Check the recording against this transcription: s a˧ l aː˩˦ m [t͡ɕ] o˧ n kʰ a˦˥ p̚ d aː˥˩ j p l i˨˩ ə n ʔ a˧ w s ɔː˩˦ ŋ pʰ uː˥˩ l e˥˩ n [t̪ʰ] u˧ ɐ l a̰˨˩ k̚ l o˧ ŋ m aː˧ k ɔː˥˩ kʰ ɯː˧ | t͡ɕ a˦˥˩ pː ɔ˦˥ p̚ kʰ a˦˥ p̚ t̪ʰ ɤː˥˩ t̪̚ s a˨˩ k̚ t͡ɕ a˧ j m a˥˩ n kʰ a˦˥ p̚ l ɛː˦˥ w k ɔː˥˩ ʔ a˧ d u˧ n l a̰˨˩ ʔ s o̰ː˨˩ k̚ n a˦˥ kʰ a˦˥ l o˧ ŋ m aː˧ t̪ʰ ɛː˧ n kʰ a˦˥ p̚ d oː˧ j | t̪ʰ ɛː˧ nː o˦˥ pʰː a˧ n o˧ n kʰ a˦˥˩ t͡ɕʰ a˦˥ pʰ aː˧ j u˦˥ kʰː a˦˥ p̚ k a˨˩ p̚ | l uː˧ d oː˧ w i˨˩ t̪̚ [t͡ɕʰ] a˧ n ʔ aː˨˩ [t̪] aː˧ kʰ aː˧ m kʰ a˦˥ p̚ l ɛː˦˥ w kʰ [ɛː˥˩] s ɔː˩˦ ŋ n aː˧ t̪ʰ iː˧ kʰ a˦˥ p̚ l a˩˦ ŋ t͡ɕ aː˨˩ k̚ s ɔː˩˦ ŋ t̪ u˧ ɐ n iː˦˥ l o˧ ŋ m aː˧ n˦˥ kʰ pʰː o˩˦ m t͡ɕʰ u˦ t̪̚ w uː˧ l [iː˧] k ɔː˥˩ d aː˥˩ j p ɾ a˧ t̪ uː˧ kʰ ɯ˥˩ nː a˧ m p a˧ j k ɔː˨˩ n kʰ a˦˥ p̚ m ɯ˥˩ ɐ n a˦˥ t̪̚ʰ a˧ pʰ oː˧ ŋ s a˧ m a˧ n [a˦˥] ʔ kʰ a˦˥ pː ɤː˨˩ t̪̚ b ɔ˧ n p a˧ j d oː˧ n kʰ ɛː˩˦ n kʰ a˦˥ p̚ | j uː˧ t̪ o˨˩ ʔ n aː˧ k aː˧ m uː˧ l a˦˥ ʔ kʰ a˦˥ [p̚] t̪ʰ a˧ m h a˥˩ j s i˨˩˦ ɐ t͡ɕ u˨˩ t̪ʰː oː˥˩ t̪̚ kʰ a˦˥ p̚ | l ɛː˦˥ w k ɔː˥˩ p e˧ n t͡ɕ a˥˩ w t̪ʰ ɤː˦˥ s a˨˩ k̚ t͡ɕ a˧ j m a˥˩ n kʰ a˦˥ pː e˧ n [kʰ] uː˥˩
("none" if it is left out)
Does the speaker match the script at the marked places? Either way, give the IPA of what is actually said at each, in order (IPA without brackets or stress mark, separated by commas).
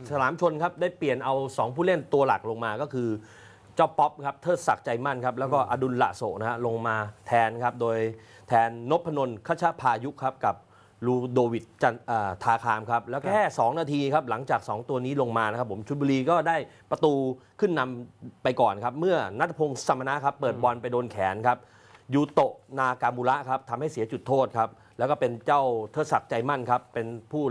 t͡ɕʰ, t̪, t͡ɕ, t̪ʰ, ɛː˥˩, iː˧, a˦˥, p̚, pʰ